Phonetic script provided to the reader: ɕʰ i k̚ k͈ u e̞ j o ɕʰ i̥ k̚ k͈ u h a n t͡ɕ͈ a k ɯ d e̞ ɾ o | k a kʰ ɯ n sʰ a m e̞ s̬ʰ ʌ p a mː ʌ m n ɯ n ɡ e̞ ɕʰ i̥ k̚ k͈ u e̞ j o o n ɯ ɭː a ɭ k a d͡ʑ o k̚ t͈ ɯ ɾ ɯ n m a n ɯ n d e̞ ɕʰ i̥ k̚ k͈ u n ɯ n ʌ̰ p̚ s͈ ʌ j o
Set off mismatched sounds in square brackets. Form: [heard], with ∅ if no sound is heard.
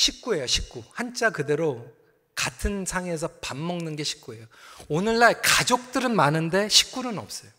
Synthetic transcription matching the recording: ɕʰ i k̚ k͈ u e̞ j o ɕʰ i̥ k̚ k͈ u h a n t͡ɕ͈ a k ɯ d e̞ ɾ o | k a [tʰ] ɯ n sʰ a [ŋ] e̞ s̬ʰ ʌ p a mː ʌ [ŋ] n ɯ n ɡ e̞ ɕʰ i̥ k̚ k͈ u e̞ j o o n ɯ ɭː a ɭ k a d͡ʑ o k̚ t͈ ɯ ɾ ɯ n m a n ɯ n d e̞ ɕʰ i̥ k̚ k͈ u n ɯ n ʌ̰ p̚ s͈ ʌ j o